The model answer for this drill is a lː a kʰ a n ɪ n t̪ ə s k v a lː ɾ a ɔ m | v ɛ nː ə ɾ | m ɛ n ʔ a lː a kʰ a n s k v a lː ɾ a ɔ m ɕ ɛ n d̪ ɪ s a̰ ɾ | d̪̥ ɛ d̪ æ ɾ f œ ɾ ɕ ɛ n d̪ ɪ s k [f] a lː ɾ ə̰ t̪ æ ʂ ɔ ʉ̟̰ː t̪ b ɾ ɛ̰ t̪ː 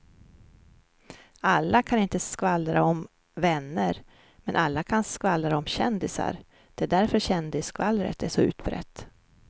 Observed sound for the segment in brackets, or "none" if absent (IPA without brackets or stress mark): v